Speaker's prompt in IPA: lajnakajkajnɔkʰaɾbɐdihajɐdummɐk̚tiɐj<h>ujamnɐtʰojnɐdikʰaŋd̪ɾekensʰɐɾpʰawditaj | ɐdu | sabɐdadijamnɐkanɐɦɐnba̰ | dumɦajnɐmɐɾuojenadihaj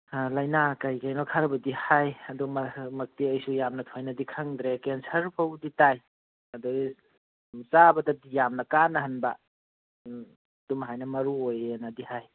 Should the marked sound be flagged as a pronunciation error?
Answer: yes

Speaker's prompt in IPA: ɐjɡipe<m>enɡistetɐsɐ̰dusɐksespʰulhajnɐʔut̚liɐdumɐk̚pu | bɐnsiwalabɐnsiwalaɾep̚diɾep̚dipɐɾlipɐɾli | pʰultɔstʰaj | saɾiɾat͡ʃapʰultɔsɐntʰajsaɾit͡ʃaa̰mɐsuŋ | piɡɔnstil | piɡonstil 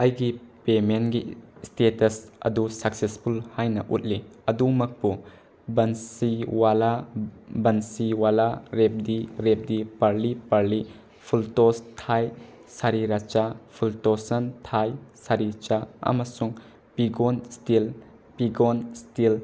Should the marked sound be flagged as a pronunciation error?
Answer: no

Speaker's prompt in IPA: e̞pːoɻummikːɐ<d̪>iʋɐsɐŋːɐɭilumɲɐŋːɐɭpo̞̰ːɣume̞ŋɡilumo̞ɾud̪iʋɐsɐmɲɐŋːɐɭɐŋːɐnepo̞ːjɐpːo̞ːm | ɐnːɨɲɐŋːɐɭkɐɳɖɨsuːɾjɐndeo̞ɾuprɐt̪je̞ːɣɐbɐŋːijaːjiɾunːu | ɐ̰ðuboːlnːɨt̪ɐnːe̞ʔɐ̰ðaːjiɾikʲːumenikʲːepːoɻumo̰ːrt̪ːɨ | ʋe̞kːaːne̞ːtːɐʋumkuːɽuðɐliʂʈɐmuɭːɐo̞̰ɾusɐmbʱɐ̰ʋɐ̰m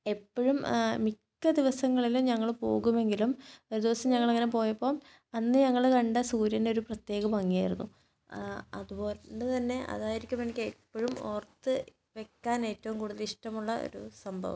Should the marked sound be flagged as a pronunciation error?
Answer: no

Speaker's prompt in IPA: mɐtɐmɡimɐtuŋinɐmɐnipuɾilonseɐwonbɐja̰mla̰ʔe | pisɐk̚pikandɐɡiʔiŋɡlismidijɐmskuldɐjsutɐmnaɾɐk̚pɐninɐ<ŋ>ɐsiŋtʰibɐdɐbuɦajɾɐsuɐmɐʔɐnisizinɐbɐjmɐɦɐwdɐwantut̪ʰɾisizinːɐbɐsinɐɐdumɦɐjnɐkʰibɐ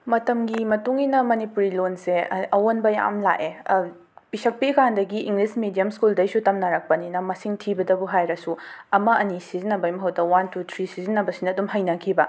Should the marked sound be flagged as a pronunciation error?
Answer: yes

